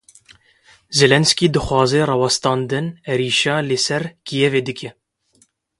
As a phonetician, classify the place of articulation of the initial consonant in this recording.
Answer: alveolar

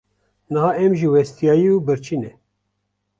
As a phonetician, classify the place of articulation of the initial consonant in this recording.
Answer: alveolar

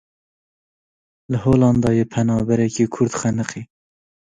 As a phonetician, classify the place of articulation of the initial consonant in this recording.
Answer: alveolar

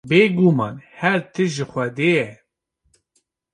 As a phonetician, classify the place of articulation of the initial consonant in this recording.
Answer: labial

